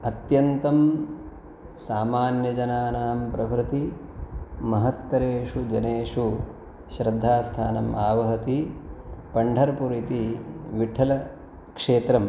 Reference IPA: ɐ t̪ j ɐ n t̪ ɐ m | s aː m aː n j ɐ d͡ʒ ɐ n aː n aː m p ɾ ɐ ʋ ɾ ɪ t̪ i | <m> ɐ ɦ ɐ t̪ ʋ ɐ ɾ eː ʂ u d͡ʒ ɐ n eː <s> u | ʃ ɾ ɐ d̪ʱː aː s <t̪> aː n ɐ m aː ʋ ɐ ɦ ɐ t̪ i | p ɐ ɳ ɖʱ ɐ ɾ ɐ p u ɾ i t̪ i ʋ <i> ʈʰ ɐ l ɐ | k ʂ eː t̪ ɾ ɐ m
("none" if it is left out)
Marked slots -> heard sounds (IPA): m, ʂ, t̪ʰ, i

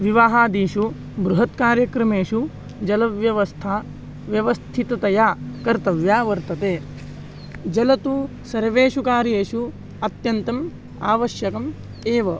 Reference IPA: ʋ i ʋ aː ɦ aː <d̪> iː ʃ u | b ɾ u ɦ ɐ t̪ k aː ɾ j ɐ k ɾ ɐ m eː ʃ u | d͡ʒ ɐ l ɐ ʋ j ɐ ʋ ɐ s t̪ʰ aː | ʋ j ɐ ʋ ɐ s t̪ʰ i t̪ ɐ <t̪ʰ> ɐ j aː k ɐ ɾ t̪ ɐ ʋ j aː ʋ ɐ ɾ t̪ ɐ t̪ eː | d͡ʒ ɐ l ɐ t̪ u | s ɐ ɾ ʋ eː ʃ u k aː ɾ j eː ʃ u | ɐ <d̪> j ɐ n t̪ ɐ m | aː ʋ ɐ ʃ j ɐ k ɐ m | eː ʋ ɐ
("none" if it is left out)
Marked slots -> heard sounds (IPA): d̪, t̪, t̪

